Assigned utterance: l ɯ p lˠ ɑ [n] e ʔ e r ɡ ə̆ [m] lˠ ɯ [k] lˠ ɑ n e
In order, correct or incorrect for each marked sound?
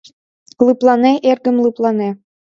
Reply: correct, correct, incorrect: p

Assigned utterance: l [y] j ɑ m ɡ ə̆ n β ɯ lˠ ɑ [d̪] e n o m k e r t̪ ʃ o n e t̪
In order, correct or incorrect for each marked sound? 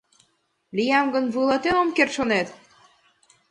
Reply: incorrect: i, incorrect: t̪

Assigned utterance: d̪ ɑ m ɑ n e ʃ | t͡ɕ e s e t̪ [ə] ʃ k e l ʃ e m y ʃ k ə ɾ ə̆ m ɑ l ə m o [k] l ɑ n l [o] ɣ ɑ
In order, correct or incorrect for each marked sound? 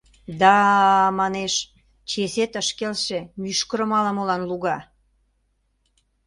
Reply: correct, incorrect: none, incorrect: u

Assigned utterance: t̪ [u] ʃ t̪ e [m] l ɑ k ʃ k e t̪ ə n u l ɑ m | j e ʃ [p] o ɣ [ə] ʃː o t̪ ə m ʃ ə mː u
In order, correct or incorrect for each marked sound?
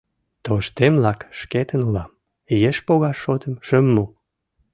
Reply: incorrect: o, correct, correct, incorrect: ɑ

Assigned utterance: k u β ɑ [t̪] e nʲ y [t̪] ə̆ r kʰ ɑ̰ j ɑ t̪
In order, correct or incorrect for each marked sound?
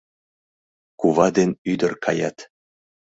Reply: incorrect: d̪, incorrect: d̪

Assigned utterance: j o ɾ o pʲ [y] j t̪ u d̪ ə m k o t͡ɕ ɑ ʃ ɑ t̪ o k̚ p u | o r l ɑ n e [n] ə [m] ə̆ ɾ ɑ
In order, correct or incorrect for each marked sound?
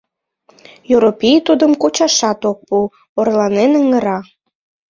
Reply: incorrect: i, correct, incorrect: ŋ

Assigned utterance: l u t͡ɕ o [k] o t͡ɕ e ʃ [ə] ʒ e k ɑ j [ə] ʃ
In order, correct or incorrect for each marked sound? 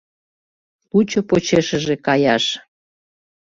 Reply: incorrect: p, correct, incorrect: ɑ

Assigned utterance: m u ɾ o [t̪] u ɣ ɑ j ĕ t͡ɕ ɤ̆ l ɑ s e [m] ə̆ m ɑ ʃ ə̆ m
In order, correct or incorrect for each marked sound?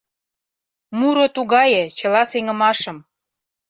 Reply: correct, incorrect: ŋ

